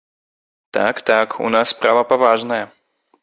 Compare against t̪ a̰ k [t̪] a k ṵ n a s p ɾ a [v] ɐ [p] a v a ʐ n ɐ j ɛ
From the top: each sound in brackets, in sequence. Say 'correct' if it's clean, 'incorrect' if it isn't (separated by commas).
correct, correct, correct